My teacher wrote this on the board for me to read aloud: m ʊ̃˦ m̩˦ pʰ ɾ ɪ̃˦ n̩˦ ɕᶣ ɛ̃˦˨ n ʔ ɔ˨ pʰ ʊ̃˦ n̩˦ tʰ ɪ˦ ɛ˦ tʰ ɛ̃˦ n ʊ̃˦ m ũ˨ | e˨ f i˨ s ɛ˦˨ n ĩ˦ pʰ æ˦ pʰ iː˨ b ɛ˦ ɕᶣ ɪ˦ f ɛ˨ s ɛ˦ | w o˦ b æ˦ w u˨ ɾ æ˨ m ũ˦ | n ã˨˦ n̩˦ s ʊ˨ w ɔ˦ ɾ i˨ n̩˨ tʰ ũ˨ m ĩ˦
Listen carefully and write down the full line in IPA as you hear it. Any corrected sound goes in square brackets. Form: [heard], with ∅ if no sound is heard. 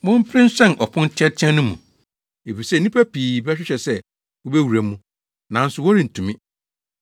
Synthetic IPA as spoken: m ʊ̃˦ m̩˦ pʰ ɾ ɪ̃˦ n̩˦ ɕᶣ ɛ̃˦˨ n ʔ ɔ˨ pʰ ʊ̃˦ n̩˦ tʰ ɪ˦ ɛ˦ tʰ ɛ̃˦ n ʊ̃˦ m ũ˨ | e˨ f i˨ s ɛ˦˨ n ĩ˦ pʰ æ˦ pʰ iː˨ b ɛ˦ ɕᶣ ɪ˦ [ɕ] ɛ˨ s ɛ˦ | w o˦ b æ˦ w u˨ ɾ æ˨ m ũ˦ | n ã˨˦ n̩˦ s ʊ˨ w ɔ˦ ɾ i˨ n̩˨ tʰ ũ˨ m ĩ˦